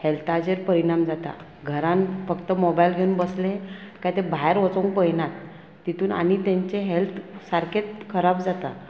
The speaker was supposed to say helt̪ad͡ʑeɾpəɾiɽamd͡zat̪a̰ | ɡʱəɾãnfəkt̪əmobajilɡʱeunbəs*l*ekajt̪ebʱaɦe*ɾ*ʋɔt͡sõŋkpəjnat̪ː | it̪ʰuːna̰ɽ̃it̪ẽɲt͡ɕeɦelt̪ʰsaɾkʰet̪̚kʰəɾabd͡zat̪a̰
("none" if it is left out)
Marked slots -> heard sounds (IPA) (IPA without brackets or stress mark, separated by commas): l, ɾ